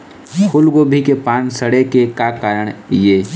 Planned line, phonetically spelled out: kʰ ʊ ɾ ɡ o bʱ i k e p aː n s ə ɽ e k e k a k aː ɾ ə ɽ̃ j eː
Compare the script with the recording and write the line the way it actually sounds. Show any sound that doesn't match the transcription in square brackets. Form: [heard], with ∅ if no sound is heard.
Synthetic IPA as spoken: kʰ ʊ [l] ɡ o bʱ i k e p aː n s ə ɽ e k e k a k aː ɾ ə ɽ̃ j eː